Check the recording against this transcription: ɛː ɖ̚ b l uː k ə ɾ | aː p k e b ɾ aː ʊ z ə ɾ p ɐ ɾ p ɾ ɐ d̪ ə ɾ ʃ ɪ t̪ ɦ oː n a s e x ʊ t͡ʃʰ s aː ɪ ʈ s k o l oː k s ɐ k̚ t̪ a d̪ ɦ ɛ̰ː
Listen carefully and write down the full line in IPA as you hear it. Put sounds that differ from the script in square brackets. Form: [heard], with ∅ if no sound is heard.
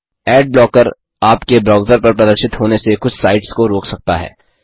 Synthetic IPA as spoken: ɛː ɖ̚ b l [ɔː] k ə ɾ | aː p k e b ɾ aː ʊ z ə ɾ p ɐ ɾ p ɾ ɐ d̪ ə ɾ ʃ ɪ t̪ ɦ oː n [e] s e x ʊ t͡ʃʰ s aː ɪ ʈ s k o [ɾ] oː k s ɐ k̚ t̪ a [∅] ɦ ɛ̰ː